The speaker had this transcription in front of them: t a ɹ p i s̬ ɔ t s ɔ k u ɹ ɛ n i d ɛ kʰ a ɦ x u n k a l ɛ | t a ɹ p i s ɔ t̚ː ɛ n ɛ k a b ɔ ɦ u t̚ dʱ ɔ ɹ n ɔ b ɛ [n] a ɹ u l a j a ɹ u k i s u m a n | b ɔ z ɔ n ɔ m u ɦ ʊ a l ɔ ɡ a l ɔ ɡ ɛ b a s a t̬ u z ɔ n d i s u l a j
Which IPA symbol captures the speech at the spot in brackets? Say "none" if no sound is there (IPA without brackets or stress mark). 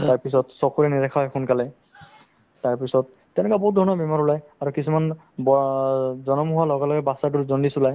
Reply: m